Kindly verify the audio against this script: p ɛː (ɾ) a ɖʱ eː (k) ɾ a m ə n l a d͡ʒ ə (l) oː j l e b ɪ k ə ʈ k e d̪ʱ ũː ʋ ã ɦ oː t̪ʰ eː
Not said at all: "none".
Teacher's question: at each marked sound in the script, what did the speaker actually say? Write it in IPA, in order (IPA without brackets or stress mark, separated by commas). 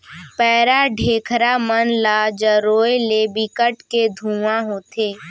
ɾ, kʰ, ɾ